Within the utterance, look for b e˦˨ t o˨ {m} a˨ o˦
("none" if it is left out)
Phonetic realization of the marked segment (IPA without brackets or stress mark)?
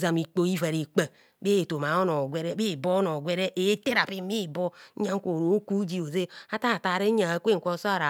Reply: m